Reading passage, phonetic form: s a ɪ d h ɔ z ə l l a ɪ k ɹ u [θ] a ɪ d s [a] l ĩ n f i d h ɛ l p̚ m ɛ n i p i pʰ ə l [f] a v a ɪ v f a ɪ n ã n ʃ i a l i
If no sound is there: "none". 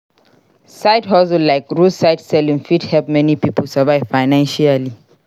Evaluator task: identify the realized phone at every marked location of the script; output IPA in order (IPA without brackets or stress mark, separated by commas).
s, ɛ, s